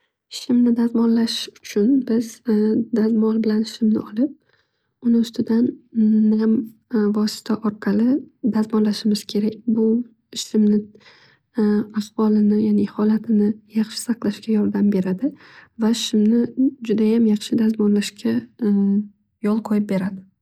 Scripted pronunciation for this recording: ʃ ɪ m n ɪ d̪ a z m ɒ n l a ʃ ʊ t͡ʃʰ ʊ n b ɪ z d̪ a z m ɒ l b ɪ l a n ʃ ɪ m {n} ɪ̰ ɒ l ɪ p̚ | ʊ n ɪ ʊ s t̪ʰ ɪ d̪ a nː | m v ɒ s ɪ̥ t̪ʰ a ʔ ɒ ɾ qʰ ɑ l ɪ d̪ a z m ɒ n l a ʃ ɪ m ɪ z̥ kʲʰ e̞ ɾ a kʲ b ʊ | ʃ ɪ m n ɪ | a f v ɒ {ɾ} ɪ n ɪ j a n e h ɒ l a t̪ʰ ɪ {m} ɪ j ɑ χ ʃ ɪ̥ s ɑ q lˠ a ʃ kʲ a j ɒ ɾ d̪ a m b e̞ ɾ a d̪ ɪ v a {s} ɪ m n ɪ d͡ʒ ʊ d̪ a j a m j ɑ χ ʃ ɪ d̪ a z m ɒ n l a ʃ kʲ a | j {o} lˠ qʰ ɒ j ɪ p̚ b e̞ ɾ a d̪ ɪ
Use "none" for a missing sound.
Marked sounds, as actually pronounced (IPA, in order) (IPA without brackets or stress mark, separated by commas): n, l, n, ʃ, ɒ